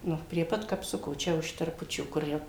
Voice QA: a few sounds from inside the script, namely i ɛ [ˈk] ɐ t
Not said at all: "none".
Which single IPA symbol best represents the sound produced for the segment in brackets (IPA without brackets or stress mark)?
p